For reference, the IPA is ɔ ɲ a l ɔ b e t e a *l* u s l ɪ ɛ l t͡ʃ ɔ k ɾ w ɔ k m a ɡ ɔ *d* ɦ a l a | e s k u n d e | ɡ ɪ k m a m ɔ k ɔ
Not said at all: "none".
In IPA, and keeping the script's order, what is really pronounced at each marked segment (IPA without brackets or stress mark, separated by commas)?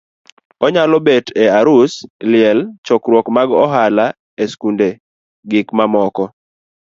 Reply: ɾ, none